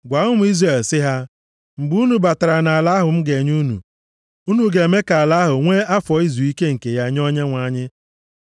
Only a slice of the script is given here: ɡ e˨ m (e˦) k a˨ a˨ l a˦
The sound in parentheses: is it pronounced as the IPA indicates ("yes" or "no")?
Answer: yes